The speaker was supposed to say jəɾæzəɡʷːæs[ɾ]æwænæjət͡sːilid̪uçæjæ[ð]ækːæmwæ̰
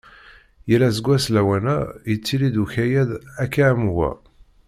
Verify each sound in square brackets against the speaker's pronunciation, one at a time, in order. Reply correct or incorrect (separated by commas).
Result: incorrect, correct